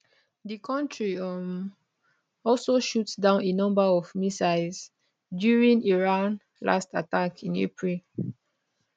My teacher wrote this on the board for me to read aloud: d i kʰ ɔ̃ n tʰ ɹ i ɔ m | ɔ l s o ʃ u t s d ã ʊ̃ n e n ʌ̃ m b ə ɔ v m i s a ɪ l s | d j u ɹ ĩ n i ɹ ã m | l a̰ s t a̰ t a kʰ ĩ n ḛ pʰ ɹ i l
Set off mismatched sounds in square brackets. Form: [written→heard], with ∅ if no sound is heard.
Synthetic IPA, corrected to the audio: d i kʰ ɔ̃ n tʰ ɹ i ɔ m | ɔ l s o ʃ u t s d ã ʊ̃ n e n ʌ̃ m b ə ɔ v m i s a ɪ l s | d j u ɹ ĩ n i ɹ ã [m→n] | l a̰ s t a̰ t a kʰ ĩ n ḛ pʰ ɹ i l